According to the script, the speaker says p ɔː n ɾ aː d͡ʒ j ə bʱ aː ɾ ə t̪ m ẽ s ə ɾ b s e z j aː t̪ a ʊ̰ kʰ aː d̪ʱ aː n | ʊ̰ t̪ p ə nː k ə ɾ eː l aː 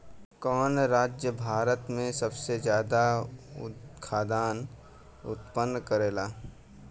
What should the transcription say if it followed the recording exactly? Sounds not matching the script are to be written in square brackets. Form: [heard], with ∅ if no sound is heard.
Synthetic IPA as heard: [k] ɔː n ɾ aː d͡ʒ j ə bʱ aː ɾ ə t̪ m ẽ s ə [∅] b s e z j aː [d̪] a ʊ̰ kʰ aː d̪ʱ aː n | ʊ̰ t̪ p ə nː k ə ɾ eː l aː

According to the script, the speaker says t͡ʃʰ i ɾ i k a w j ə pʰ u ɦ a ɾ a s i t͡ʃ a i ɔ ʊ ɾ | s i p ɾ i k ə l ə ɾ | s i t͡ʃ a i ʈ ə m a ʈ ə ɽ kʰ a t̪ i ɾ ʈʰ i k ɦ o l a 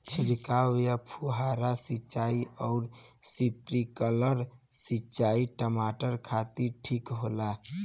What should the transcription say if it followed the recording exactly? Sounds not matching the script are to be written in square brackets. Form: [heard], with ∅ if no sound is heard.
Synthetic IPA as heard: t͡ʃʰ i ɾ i k a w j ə pʰ u ɦ a ɾ a s i t͡ʃ a i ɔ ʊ ɾ | s i p ɾ i k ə l ə ɾ | s i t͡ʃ a i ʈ ə m a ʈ ə [ɾ] kʰ a t̪ i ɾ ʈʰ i k ɦ o l a

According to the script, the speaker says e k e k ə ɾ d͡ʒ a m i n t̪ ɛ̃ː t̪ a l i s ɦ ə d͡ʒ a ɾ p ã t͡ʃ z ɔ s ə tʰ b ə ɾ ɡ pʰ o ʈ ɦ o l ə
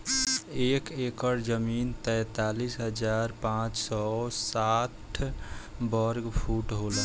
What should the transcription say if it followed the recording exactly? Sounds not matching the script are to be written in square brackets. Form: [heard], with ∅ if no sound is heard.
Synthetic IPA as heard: e k e k ə ɾ d͡ʒ [ə] m i n t̪ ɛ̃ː t̪ a l i s ɦ ə d͡ʒ a ɾ p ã t͡ʃ [s] ɔ s [a] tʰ b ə ɾ ɡ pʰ [u] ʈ ɦ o l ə

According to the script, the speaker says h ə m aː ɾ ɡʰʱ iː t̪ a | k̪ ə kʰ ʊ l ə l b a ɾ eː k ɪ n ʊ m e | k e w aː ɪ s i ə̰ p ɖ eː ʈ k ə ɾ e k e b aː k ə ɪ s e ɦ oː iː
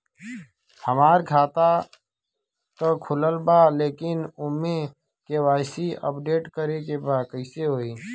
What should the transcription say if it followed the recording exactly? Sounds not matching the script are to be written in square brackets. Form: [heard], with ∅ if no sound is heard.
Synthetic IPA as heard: h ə m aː ɾ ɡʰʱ [aː] t̪ a | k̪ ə kʰ ʊ l ə l b a [l] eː k ɪ n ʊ m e | k e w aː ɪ s i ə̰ p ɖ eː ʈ k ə ɾ e k e b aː k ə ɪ s e ɦ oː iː

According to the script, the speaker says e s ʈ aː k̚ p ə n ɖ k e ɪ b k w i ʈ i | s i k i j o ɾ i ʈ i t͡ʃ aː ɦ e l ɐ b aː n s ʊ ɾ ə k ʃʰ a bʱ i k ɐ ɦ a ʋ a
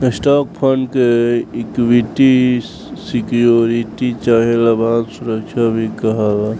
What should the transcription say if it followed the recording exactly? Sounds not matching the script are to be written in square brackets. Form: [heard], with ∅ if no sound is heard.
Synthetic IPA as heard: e s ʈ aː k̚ [pʰ] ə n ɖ k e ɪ [∅] k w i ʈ i | s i k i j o ɾ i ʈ i t͡ʃ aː ɦ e l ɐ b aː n s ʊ ɾ ə k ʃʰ a bʱ i k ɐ ɦ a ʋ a

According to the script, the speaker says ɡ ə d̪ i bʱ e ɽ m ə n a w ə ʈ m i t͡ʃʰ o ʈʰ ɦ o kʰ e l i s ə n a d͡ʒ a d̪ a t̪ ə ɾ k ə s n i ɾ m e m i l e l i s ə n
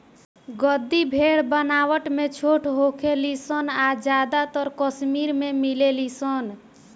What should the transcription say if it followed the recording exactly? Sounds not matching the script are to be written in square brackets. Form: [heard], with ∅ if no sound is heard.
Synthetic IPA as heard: ɡ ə d̪ i bʱ e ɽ [b] ə n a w ə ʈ m [e] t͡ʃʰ o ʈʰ ɦ o kʰ e l i s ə n a d͡ʒ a d̪ a t̪ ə ɾ k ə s [m] i ɾ m e m i l e l i s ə n

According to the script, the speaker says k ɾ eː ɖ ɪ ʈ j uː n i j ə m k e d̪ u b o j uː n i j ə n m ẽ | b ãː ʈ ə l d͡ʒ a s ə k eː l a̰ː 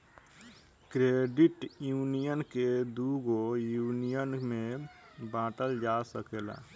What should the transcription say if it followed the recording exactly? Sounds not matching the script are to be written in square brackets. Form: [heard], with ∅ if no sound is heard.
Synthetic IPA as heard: k ɾ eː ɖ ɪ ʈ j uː n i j ə [n] k e d̪ u [ɡ] o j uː n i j ə n m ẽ | b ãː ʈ ə l d͡ʒ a s ə k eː l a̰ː

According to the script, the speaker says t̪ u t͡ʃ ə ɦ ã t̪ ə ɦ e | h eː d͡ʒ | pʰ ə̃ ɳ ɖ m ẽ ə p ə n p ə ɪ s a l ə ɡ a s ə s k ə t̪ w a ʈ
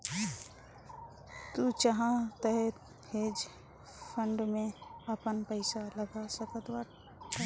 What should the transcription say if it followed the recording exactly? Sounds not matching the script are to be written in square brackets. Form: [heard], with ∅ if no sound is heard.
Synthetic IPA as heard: t̪ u t͡ʃ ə ɦ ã t̪ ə ɦ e | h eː d͡ʒ | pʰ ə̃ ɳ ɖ m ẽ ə p ə n p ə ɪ s a l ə ɡ a s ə [∅] k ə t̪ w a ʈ

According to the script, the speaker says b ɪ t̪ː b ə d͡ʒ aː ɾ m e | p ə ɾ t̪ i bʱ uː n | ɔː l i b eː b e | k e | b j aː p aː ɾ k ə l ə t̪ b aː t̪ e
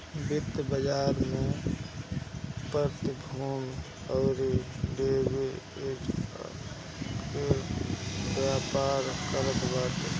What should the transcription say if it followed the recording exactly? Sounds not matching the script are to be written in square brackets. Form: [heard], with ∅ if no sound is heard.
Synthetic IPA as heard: b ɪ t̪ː b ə d͡ʒ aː ɾ m e | p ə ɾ t̪ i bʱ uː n | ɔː [ɾ] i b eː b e | k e | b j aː p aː ɾ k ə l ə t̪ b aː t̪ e

